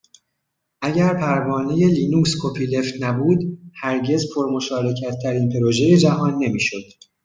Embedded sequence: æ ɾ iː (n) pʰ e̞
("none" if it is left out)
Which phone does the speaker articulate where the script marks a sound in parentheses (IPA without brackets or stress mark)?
n